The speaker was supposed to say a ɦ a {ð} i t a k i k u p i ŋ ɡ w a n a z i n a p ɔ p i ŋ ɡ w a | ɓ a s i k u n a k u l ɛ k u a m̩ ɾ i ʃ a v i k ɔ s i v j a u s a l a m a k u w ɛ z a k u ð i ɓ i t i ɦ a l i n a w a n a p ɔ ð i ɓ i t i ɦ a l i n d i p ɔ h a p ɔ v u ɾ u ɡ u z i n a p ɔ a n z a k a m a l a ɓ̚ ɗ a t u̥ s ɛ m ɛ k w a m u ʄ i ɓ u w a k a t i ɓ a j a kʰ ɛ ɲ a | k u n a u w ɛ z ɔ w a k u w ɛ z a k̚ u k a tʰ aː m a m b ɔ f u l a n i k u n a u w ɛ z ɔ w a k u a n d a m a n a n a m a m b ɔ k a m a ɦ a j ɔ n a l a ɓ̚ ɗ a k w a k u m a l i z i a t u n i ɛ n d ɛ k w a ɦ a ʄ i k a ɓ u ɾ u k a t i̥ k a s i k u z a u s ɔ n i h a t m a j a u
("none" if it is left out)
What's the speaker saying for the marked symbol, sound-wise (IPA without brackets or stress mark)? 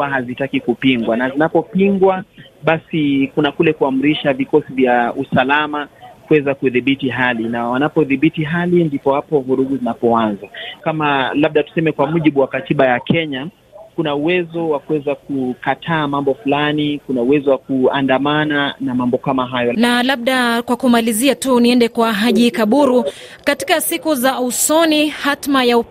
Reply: z